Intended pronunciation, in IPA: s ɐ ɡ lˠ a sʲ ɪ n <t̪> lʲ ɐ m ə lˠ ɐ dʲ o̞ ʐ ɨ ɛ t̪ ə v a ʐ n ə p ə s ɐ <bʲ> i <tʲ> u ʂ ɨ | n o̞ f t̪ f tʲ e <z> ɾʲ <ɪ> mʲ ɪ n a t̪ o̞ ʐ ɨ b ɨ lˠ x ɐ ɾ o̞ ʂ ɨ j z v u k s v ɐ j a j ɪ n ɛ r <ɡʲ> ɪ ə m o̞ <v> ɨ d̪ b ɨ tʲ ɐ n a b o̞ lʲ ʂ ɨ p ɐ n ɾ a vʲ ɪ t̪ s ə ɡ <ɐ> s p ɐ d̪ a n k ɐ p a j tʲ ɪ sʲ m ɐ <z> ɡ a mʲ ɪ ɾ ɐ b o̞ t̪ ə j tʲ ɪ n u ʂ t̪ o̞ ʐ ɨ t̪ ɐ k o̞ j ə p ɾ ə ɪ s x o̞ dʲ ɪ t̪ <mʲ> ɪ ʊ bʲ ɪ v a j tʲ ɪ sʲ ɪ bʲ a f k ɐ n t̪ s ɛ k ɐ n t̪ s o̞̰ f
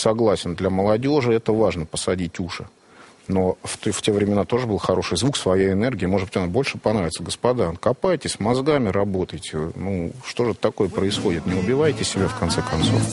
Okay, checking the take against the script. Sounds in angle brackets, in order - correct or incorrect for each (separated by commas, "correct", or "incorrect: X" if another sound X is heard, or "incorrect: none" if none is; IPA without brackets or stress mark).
incorrect: d̪, incorrect: dʲ, correct, incorrect: v, correct, correct, incorrect: ʐ, incorrect: ə, correct, incorrect: nʲ